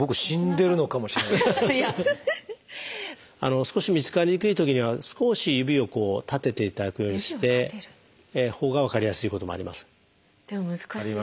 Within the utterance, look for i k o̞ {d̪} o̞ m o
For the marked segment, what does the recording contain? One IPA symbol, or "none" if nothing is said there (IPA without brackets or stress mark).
t̪